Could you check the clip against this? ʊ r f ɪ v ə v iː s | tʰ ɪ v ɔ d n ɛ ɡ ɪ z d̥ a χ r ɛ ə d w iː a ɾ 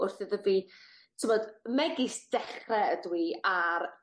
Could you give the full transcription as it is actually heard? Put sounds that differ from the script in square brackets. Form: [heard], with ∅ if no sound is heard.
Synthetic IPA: ʊ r [θ] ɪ [ð] ə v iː [∅] | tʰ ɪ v ɔ d [m] ɛ ɡ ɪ [s] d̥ [ɛ] χ r ɛ ə d w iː a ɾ